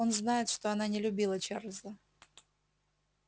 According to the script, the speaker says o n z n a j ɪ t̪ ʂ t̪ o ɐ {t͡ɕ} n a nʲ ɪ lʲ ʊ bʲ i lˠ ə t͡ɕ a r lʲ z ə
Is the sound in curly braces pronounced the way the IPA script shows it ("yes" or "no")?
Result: no